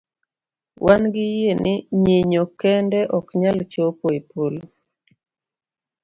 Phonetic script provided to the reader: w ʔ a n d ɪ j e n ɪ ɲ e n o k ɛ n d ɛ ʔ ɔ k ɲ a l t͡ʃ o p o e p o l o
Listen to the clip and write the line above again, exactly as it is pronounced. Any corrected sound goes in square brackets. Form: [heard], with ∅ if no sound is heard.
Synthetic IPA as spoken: w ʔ a n [ɡ] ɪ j e n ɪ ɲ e [ɲ] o k ɛ n d ɛ ʔ ɔ k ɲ a l t͡ʃ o p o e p o l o